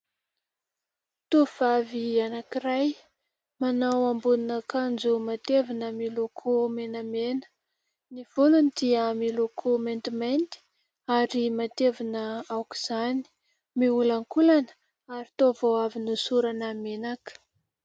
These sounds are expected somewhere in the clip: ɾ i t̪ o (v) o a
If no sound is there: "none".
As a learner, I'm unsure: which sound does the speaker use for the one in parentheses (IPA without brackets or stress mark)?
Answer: v